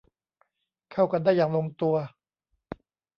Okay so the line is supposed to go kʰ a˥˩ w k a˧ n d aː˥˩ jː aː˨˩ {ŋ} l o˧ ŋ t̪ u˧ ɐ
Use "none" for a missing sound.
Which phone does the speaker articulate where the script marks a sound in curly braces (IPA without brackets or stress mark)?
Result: ŋ